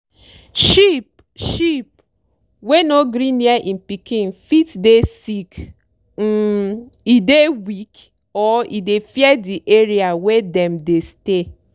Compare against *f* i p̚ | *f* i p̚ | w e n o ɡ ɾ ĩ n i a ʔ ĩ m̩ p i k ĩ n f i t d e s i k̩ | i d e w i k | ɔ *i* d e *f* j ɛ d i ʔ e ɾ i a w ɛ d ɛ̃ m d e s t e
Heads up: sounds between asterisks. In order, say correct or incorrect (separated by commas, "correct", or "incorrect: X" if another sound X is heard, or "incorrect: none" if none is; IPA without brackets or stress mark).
incorrect: ʃ, incorrect: ʃ, correct, correct